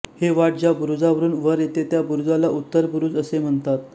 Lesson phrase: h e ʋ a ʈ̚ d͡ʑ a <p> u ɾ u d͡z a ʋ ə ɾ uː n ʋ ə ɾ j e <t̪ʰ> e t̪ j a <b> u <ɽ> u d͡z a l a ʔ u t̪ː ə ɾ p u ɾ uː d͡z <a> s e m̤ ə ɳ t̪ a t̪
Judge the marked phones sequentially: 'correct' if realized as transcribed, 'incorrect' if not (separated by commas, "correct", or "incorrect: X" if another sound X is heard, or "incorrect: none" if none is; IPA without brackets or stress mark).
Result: incorrect: b, incorrect: t̪, correct, incorrect: ɾ, incorrect: ə